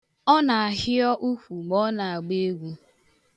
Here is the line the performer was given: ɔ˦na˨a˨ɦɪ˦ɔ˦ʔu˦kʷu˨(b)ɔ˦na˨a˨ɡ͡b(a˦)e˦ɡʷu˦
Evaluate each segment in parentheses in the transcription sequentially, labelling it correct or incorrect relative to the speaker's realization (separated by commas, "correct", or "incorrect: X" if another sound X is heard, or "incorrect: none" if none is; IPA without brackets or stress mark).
incorrect: ɡ͡b, incorrect: e˦